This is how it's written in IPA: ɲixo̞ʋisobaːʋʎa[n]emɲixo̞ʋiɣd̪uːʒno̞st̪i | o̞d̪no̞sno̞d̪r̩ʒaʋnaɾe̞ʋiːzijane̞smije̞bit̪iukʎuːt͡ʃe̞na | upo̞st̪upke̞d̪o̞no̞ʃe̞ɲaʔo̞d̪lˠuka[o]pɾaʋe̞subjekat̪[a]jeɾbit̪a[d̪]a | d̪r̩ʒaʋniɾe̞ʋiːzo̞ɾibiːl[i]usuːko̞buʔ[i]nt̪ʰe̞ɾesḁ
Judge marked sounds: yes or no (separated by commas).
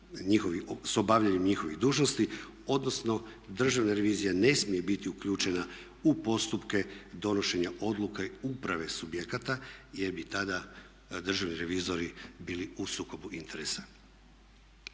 no, no, yes, yes, yes, yes